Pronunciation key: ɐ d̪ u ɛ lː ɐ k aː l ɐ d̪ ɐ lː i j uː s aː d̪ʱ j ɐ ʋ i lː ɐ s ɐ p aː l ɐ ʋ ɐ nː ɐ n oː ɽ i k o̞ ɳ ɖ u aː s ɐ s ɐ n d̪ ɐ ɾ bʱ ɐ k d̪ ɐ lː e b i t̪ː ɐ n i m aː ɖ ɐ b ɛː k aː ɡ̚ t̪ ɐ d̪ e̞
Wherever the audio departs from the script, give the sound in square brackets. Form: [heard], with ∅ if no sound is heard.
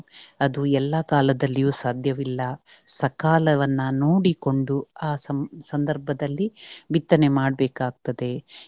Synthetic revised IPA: ɐ d̪ u ɛ lː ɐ k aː l ɐ d̪ ɐ lː i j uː s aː d̪ʱ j ɐ ʋ i lː ɐ s ɐ [k] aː l ɐ ʋ ɐ nː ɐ n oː ɽ i k o̞ ɳ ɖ u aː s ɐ s ɐ n d̪ ɐ ɾ bʱ ɐ [∅] d̪ ɐ lː [i] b i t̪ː ɐ n [e] m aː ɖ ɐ b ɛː k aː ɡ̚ t̪ ɐ d̪ e̞